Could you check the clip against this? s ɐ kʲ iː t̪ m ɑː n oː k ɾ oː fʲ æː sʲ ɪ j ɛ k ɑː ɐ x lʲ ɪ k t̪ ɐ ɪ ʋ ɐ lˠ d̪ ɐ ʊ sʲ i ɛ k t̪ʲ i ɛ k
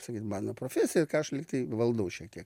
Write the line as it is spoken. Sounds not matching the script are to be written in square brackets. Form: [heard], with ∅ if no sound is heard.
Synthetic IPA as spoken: s ɐ kʲ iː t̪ m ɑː n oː [p] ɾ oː fʲ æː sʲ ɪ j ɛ k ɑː ɐ [ʃ] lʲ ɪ k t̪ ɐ ɪ ʋ ɐ lˠ d̪ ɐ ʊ [ʃʲ] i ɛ k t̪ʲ i ɛ k